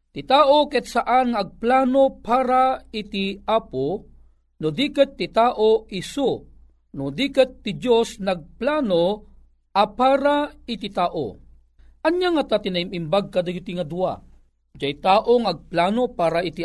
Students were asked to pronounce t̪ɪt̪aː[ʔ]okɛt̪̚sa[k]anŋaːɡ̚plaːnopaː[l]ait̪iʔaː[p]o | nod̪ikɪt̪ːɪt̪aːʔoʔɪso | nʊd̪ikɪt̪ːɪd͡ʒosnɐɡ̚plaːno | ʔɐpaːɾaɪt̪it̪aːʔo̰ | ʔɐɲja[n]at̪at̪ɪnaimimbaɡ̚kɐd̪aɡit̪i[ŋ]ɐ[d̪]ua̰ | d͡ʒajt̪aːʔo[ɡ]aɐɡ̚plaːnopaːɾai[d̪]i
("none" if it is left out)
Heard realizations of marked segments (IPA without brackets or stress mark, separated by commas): ʔ, ʔ, ɾ, p, ŋ, ŋ, d̪, ŋ, t̪